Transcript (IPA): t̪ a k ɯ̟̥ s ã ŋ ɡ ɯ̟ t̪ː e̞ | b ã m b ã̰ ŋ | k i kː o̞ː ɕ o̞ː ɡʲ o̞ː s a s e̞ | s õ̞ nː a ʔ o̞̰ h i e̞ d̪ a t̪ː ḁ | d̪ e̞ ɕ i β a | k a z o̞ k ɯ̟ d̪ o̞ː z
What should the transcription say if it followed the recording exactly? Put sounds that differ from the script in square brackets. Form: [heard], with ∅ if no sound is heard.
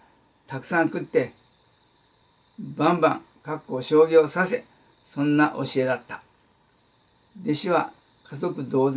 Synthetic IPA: t̪ a k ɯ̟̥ s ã ŋ [k] ɯ̟ t̪ː e̞ | b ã m b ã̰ ŋ | k [a] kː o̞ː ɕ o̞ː ɡʲ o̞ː s a s e̞ | s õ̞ nː a ʔ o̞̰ [ɕ] i e̞ d̪ a t̪ː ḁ | d̪ e̞ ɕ i β a | k a z o̞ k ɯ̟ d̪ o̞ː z